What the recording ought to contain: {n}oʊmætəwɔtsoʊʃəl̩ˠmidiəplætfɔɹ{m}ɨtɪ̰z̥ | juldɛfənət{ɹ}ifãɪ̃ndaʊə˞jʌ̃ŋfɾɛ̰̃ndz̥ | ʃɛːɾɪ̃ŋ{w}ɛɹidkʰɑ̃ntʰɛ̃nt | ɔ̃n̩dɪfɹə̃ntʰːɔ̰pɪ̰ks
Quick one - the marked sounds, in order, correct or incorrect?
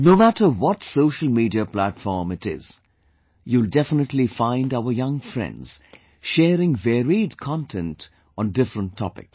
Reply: correct, correct, incorrect: l, incorrect: v

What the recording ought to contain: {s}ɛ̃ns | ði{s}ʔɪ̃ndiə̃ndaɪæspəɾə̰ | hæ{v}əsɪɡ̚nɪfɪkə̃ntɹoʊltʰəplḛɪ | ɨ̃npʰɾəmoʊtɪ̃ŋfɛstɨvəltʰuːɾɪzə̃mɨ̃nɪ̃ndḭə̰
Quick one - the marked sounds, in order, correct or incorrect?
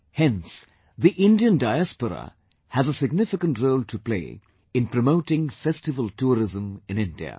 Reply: incorrect: h, incorrect: none, incorrect: z

